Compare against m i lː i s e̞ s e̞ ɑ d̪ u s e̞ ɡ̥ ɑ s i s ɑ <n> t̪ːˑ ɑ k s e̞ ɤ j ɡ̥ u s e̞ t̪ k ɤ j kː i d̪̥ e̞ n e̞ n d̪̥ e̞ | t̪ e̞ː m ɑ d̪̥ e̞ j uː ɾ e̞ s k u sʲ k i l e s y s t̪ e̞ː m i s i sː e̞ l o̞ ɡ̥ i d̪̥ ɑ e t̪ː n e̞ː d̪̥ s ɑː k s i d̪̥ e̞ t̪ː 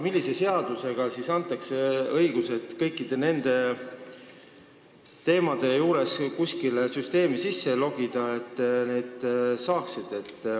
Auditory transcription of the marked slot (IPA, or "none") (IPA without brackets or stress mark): n